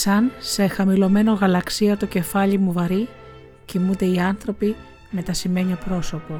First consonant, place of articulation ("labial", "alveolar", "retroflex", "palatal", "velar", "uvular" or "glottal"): alveolar